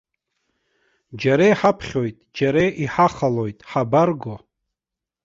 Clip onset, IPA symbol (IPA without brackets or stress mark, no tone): d͡ʒ